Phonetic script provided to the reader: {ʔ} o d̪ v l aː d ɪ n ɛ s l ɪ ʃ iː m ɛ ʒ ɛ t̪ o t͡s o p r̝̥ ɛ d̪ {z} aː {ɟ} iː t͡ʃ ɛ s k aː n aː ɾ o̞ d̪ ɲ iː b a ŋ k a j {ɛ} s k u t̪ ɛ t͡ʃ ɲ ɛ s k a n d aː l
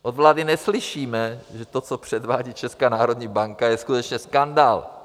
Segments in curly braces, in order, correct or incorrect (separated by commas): correct, incorrect, correct, correct